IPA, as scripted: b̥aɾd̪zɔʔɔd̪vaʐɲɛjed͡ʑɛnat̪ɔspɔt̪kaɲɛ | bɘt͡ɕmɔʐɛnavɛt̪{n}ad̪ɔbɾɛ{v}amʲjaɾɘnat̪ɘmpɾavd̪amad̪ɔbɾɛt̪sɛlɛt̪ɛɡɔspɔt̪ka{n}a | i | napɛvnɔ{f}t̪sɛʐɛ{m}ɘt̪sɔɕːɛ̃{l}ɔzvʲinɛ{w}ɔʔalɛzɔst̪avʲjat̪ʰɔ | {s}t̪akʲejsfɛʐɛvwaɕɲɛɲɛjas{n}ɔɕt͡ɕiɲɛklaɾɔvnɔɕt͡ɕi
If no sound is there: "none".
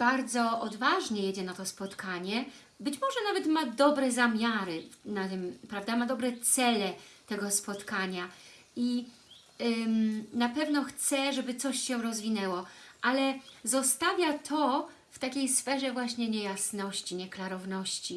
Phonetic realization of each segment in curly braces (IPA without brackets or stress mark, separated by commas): m, z, ɲ, x, b, ɾ, w, f, n